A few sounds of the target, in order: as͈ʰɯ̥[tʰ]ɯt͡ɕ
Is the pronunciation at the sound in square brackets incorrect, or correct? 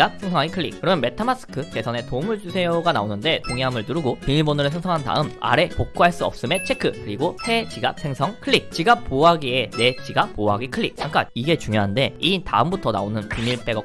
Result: incorrect